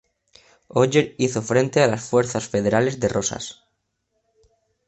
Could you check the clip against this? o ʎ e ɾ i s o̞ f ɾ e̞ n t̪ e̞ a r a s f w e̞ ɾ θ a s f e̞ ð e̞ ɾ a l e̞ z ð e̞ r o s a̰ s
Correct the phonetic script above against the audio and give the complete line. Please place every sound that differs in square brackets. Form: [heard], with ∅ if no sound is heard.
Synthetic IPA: o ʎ e ɾ i [θ] o̞ f ɾ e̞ n t̪ e̞ a [l] a s f w e̞ ɾ θ a s f e̞ ð e̞ ɾ a l e̞ z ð e̞ r o s a̰ s